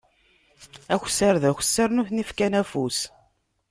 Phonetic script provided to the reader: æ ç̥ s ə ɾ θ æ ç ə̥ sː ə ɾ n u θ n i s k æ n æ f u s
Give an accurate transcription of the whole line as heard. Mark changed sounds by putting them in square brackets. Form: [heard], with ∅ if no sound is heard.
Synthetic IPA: æ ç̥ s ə ɾ [ð] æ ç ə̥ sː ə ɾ n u θ n i [f] k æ n æ f u s